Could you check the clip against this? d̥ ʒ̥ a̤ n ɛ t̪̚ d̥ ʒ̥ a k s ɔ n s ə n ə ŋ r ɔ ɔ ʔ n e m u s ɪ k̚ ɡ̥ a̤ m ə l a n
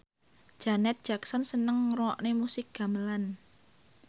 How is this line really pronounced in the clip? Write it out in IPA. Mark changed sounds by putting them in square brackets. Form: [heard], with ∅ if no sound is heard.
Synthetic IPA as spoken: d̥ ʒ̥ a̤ n ɛ t̪̚ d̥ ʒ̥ a k s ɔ n s ə n ə ŋ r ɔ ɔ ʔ n e m u s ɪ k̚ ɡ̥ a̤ m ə l a n